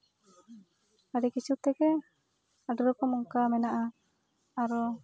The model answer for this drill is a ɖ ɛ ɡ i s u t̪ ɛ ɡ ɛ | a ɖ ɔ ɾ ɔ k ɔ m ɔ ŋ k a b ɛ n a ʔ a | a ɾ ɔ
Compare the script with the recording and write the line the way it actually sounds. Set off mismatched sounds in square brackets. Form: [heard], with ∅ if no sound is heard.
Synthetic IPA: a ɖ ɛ [k] i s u t̪ ɛ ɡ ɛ | a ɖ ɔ ɾ ɔ k ɔ m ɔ ŋ k a [m] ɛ n a ʔ a | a ɾ ɔ

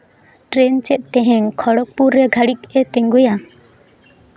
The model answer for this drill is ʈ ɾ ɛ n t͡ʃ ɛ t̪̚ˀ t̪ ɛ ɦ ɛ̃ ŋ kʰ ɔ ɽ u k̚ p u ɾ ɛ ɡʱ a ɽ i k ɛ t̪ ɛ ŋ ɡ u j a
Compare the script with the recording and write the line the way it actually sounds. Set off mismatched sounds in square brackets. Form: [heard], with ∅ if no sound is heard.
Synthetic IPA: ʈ ɾ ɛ n t͡ʃ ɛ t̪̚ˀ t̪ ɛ ɦ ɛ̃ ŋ kʰ ɔ ɽ [ɔ] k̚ p u ɾ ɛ ɡʱ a ɽ i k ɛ t̪ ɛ ŋ ɡ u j a

